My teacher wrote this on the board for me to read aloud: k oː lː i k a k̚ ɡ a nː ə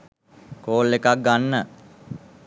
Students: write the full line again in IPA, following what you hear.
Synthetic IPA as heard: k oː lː e k a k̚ ɡ a nː ə